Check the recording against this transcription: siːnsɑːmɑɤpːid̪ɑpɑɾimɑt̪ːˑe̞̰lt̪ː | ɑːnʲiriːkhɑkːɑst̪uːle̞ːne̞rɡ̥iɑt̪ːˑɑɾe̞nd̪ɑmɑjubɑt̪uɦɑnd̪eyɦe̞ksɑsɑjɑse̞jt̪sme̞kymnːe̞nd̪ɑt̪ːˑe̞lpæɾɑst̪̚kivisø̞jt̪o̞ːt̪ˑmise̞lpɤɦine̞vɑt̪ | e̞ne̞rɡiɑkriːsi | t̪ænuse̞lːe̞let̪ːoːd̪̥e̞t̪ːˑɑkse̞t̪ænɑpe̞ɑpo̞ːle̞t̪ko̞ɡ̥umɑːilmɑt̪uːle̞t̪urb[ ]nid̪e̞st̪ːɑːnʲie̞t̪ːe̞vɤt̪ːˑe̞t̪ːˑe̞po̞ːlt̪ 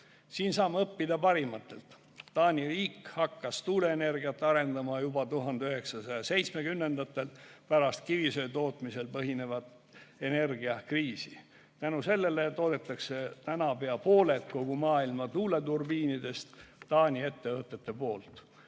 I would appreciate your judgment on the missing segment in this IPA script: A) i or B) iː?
B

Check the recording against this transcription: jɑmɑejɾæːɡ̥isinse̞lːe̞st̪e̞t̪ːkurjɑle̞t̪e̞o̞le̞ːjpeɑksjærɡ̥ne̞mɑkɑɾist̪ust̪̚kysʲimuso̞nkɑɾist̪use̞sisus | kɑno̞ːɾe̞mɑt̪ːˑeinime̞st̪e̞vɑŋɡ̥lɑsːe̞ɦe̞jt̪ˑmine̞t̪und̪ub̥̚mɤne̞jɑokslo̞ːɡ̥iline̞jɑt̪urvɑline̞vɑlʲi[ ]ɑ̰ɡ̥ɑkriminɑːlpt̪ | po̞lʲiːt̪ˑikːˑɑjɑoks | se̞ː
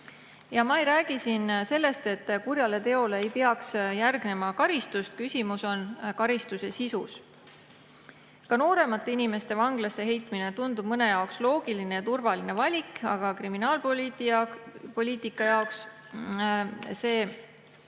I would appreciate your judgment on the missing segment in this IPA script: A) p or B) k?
B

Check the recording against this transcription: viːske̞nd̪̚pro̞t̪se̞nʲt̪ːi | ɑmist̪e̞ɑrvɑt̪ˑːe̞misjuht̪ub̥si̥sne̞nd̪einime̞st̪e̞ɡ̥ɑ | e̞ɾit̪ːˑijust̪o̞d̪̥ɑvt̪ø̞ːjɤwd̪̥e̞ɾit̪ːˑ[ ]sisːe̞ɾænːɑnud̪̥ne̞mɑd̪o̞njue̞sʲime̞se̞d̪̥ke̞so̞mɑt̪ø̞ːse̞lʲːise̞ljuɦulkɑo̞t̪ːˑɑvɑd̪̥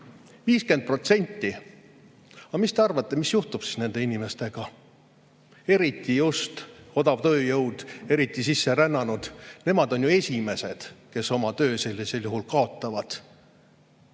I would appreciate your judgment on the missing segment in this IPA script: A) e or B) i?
B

